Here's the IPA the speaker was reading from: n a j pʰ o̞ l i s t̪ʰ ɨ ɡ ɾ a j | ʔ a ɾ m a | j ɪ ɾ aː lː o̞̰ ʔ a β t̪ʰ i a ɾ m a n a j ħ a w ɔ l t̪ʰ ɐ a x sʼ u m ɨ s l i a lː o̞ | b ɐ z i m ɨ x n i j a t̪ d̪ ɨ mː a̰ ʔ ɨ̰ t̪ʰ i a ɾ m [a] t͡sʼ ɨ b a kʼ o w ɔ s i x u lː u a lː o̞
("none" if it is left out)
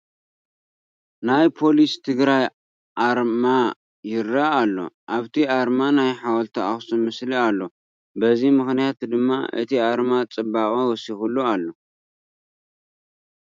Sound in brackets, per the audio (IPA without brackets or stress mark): a